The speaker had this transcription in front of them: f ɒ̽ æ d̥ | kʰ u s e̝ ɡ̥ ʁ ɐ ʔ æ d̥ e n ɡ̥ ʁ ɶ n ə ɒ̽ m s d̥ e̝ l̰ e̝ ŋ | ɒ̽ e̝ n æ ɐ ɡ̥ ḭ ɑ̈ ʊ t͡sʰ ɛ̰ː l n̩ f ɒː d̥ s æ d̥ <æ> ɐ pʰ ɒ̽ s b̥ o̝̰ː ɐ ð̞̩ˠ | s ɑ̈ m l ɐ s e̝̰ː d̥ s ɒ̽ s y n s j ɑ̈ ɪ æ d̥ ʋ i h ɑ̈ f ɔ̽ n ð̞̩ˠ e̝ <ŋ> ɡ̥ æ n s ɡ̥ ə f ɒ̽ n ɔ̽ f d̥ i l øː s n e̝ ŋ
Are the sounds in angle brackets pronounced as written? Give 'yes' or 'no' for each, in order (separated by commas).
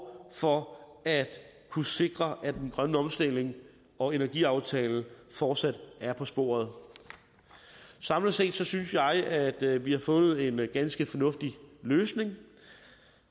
yes, no